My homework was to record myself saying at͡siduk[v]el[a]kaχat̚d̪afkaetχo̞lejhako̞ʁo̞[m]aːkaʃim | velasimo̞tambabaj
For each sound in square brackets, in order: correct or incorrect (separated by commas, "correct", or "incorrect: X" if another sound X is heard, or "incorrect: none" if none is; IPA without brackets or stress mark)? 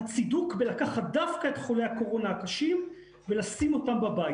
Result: incorrect: b, correct, incorrect: n